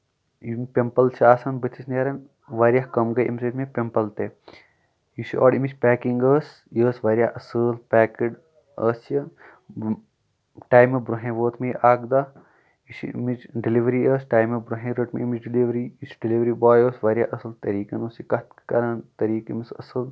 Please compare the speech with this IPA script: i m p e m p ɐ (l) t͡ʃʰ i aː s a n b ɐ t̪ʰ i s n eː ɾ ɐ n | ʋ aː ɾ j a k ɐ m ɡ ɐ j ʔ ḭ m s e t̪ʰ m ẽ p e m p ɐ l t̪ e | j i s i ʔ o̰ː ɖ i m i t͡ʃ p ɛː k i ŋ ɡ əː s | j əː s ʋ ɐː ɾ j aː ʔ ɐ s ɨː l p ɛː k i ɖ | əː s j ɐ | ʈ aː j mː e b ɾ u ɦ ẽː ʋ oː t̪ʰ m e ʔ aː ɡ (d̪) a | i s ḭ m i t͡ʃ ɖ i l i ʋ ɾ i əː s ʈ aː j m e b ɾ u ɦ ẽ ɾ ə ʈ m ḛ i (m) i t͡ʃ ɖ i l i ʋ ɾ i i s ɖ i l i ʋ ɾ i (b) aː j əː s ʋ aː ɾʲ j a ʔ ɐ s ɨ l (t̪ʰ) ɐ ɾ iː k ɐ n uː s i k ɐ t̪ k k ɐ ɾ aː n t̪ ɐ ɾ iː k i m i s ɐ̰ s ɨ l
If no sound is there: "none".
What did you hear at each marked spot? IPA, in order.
l, d̪, m, b, t̪

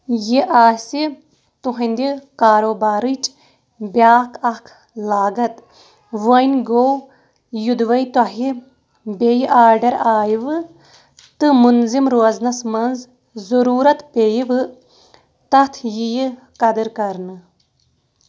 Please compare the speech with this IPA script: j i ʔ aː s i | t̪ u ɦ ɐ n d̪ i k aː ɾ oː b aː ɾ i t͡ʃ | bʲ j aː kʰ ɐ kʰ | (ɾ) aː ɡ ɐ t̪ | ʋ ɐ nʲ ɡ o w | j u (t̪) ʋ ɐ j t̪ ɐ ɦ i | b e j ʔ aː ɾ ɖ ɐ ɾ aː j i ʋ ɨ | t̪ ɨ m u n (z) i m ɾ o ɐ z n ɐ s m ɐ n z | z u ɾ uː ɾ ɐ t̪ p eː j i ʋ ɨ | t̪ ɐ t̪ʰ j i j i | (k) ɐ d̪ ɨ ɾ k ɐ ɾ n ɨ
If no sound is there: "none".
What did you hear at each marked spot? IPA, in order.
l, d̪, z, k

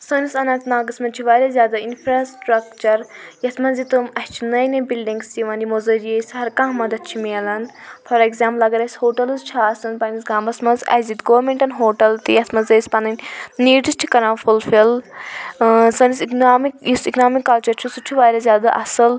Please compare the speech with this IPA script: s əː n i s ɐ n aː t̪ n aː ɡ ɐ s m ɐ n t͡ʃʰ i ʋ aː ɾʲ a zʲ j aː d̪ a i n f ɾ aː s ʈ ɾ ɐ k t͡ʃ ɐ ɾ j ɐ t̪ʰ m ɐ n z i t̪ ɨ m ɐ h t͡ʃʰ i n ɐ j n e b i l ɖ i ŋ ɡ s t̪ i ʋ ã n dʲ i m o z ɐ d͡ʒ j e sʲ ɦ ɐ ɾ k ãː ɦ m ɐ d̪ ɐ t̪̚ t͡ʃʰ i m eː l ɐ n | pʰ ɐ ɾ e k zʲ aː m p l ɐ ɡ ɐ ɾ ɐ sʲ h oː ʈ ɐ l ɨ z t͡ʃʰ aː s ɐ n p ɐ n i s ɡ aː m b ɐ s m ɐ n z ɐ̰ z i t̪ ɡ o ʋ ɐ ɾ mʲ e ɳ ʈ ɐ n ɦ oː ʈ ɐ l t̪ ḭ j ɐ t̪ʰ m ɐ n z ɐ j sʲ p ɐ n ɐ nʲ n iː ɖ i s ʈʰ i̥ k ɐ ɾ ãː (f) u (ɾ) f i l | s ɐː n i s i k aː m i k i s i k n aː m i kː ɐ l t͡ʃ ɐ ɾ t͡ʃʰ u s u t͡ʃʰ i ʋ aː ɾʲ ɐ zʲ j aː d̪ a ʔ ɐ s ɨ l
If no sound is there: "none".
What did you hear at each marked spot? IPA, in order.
f, l

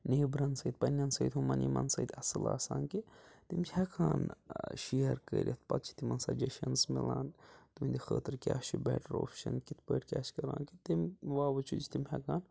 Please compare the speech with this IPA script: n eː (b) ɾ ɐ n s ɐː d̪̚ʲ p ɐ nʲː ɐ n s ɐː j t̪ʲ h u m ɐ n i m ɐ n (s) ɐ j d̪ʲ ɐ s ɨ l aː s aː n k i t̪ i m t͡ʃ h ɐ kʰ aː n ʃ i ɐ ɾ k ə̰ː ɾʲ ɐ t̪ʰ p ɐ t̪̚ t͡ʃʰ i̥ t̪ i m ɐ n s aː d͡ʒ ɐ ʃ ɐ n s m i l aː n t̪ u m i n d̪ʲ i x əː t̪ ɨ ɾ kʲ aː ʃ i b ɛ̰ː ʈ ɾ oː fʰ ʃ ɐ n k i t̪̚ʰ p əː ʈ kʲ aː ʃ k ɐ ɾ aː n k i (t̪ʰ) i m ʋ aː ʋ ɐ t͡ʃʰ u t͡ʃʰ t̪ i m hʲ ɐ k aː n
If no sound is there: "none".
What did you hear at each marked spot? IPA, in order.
b, s, t̪

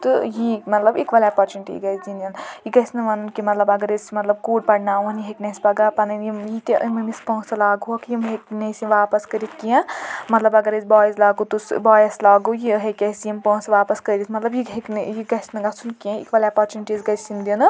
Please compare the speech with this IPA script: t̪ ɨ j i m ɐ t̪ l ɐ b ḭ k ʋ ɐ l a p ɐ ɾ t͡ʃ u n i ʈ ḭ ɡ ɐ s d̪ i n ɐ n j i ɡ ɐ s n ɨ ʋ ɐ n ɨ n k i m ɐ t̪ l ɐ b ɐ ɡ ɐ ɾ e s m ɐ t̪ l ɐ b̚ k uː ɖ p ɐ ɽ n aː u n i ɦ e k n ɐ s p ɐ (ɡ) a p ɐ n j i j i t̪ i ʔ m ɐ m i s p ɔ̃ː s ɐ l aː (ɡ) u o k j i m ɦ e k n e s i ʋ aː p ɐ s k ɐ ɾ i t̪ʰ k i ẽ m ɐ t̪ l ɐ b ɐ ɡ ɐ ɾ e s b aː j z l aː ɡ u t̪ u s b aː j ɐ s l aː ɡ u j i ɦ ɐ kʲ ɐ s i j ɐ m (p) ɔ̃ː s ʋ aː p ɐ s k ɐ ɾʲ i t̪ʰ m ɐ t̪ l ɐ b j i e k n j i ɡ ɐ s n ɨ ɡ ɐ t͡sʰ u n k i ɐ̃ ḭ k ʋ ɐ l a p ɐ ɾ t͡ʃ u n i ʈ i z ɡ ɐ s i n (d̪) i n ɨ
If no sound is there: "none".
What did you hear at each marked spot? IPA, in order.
ɡ, ɡ, p, d̪

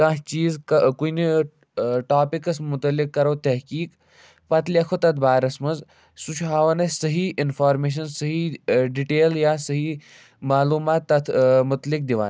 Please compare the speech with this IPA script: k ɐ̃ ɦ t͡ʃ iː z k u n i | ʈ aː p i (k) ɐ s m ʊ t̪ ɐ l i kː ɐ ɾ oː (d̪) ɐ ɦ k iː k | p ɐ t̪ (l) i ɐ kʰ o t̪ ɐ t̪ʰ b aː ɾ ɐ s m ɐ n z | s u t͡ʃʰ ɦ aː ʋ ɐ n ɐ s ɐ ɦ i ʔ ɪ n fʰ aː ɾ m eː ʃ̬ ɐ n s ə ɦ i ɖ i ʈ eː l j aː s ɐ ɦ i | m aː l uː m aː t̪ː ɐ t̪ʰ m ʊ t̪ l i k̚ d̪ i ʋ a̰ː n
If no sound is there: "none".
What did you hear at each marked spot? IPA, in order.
k, t̪, l

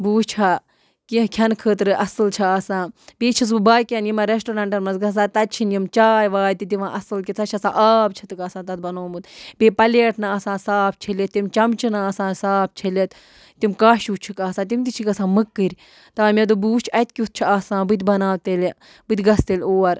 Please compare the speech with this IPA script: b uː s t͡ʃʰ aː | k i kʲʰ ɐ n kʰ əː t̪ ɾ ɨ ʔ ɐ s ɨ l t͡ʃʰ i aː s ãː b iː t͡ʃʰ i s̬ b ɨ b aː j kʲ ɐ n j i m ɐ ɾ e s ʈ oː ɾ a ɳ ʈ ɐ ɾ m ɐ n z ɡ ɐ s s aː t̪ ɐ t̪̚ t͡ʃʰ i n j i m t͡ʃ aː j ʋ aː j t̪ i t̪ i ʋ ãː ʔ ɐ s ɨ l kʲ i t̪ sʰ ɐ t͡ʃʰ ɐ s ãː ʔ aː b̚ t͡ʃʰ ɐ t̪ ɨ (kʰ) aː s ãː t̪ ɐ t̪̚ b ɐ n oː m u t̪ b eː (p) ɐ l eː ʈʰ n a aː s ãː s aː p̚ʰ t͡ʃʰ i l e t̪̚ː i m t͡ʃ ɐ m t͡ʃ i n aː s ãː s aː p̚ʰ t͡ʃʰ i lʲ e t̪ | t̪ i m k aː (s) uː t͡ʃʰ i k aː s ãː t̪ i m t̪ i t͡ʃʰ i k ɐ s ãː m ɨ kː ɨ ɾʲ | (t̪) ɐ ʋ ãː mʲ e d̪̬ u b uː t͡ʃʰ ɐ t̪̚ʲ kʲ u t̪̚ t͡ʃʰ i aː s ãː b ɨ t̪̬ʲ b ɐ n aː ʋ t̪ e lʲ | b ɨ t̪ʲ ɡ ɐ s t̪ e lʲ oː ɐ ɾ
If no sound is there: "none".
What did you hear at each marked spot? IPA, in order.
k, p, ʃ, t̪

